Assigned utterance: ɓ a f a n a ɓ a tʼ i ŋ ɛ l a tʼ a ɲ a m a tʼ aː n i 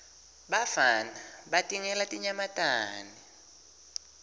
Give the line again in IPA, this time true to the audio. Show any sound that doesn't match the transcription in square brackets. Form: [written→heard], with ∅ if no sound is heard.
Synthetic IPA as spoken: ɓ a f a n a ɓ a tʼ i ŋ ɛ l a tʼ [a→i] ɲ a m a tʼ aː n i

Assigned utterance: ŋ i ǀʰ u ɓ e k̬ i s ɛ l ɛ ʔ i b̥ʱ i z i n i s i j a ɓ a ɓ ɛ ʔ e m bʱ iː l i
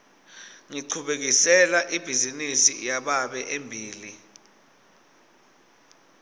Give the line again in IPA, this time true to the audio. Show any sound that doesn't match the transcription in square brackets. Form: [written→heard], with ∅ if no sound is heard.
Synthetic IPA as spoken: ŋ i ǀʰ u ɓ e k̬ i s ɛ l [ɛ→a] ʔ i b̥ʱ i z i n i s i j a ɓ a ɓ ɛ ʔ e m bʱ iː l i

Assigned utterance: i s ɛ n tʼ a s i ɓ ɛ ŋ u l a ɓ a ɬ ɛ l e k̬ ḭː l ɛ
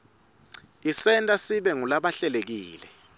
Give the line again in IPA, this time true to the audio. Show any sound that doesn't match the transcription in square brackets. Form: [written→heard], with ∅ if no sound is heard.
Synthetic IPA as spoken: i s ɛ n tʼ a s i ɓ ɛ ŋ u l a ɓ a ɬ ɛ l e k̬ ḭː l ɛ

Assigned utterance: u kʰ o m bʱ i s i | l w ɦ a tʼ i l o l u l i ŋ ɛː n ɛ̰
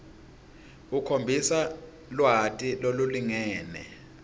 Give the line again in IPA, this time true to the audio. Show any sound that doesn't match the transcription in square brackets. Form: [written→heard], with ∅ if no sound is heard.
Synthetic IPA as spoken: u kʰ o m bʱ i s [i→a] | l w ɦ a tʼ i l o l u l i ŋ ɛː n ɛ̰

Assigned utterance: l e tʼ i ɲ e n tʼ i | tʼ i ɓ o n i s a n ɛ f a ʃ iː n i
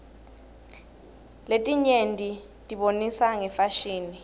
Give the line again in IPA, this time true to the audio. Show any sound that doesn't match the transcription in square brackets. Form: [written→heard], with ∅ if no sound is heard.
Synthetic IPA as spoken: l e tʼ i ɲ e n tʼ i | tʼ i ɓ o n i s a [n→ŋ] ɛ f a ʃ iː n i

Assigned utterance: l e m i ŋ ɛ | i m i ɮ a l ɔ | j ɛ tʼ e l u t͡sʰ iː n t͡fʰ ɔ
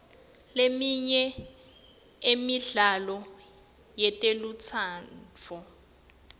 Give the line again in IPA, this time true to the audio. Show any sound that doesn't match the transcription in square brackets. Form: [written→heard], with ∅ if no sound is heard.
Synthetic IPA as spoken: l e m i [ŋ→ɲ] ɛ | [i→e] m i ɮ a l ɔ | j ɛ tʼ e l u t͡sʰ [iː→aː] n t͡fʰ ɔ

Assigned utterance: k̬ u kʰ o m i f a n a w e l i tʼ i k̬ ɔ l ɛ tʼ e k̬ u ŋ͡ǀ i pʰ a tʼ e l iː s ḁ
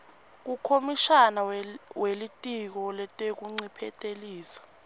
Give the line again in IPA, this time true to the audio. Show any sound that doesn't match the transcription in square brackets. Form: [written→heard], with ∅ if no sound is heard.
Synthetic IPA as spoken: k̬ u kʰ o m i [f→ʃ] a n a w e l i tʼ i k̬ ɔ l ɛ tʼ e k̬ u ŋ͡ǀ i pʰ [a→ɛ] tʼ e l iː s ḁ

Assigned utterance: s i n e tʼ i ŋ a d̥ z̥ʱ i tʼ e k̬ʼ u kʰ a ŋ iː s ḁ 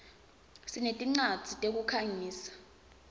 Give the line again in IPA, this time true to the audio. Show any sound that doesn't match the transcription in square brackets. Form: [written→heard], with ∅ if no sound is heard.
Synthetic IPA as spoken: s i n e tʼ i [ŋ→ŋ͡ǀ] a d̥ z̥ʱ i tʼ e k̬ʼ u kʰ a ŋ iː s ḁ

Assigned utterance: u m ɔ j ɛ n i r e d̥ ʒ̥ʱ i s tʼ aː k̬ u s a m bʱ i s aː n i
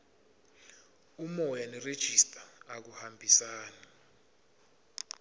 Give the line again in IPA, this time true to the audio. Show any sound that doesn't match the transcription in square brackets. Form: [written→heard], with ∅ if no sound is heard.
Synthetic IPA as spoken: u m ɔ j [ɛ→a] n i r e d̥ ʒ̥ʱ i s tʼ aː k̬ u [s→h] a m bʱ i s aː n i

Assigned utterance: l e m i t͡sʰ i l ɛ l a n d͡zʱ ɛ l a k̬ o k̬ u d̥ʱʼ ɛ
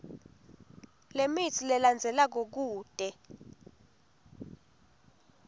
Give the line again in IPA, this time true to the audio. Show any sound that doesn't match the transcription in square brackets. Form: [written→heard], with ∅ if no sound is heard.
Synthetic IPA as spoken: l e m i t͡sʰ i l ɛ l a n d͡zʱ ɛ l a k̬ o k̬ [u→uː] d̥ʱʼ ɛ

